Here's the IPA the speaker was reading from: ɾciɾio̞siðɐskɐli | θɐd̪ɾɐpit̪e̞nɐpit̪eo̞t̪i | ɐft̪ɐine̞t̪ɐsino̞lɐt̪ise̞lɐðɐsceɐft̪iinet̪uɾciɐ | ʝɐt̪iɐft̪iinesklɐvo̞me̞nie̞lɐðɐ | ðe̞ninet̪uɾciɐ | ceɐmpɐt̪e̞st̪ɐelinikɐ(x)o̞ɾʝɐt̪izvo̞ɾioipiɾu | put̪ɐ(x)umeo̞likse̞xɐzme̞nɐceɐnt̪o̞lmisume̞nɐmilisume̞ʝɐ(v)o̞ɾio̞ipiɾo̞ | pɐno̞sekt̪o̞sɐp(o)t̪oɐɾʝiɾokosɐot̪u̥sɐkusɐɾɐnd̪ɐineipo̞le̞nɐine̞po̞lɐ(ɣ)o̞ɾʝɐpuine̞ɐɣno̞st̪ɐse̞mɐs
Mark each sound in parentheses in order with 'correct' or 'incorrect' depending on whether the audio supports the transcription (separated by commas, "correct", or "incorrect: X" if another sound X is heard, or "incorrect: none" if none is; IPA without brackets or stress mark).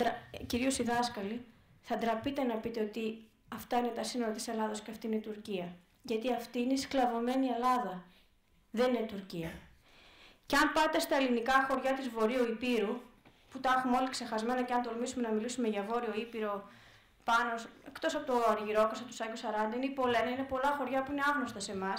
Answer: correct, correct, correct, correct, incorrect: x